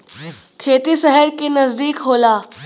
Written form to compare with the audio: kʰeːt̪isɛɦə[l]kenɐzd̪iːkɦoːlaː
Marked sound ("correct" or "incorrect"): incorrect